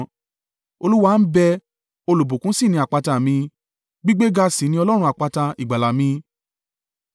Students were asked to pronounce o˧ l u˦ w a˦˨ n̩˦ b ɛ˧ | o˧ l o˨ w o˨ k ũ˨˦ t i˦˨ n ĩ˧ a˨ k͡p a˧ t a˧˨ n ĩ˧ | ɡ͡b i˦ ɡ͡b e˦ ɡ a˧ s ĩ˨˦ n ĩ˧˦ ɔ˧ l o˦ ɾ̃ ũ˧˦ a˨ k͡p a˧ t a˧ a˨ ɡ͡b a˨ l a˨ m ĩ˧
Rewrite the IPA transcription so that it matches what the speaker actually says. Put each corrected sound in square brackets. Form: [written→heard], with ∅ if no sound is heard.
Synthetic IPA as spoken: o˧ l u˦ w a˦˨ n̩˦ b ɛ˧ | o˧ l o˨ [w→b] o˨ k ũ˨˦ [t→s] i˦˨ n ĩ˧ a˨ k͡p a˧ t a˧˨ [n→m] ĩ˧ | ɡ͡b i˦ ɡ͡b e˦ ɡ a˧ s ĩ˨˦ n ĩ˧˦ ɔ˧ l [o˦→ɔ˦] ɾ̃ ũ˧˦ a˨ k͡p a˧ t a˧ [a˨→i˨] ɡ͡b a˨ l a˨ m ĩ˧